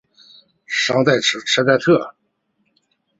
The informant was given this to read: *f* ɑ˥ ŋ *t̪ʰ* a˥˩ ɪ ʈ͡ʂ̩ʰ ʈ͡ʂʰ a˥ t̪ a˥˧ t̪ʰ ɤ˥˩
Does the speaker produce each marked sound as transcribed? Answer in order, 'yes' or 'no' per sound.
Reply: no, no

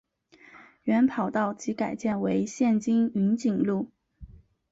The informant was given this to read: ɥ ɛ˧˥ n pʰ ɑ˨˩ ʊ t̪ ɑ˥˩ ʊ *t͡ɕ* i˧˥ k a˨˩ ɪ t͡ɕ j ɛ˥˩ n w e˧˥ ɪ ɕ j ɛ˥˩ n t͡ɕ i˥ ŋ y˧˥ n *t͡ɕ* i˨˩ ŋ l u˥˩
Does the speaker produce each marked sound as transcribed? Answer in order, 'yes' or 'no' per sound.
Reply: yes, yes

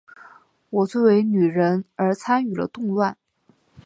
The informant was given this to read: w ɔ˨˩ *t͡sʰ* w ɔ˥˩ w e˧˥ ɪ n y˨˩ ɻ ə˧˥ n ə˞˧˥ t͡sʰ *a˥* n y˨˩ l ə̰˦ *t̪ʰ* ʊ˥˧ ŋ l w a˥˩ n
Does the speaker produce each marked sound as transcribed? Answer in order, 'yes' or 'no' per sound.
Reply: no, yes, no

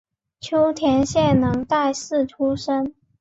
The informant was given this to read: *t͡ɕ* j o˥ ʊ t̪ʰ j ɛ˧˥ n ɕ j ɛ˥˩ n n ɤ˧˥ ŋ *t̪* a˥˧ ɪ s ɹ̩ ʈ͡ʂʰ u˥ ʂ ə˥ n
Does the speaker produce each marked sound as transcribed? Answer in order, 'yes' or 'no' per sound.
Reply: no, yes

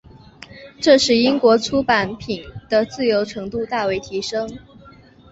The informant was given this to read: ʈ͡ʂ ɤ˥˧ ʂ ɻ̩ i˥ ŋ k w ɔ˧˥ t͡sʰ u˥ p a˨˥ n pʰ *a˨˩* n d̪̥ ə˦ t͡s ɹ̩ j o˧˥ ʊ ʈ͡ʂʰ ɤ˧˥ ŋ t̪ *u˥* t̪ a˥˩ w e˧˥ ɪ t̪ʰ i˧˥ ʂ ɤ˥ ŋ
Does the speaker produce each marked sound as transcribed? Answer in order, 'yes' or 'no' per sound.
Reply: no, no

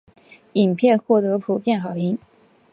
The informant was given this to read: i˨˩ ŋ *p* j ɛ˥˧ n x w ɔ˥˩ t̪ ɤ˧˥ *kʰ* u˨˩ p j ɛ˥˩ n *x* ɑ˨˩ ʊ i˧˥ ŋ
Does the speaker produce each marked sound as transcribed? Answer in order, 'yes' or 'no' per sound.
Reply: no, no, yes

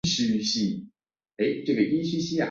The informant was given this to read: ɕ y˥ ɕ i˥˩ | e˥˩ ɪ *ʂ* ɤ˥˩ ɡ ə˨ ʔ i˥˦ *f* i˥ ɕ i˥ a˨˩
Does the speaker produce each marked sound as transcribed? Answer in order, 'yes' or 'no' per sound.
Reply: no, no

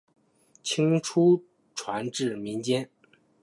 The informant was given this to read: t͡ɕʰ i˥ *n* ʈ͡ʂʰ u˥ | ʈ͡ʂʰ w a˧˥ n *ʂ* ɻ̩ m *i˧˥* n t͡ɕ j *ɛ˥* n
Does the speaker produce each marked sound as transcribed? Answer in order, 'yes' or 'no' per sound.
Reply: no, no, yes, yes

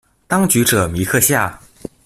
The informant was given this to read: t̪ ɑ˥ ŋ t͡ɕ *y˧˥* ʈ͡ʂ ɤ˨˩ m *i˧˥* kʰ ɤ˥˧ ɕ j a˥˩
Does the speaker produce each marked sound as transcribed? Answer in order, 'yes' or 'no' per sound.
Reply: yes, yes

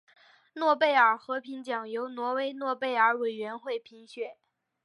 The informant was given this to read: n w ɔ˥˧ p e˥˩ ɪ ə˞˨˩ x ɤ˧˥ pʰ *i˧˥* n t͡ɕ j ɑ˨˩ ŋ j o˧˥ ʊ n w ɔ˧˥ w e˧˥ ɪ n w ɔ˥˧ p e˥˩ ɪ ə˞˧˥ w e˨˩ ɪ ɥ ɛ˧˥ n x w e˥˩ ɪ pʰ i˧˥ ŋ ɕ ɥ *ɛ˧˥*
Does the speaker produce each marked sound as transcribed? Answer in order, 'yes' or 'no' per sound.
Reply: yes, no

